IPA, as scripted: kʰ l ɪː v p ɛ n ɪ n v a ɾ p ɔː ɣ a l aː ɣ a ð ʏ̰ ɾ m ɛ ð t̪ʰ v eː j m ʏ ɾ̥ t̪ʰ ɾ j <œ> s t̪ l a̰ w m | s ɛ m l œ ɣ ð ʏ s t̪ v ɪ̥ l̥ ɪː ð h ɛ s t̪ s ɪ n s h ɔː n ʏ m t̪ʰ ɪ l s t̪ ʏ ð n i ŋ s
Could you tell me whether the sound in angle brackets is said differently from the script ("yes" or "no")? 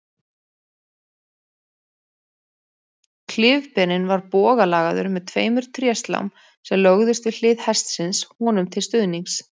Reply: yes